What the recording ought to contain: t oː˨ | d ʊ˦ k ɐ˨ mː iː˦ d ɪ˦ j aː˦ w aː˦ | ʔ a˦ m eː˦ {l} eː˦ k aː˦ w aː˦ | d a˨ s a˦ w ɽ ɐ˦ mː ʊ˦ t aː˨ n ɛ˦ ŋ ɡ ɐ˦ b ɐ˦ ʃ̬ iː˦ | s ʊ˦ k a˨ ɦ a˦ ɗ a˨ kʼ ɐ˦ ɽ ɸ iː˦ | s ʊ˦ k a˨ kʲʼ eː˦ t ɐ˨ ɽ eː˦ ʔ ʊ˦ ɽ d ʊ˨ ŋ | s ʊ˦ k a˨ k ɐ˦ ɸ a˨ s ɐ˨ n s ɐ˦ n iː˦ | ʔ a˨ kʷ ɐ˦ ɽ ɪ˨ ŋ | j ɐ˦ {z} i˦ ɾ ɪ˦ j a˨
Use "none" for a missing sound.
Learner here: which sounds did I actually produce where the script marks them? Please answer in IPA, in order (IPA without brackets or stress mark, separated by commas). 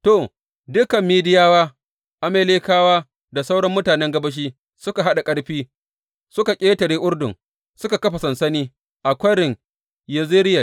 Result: l, z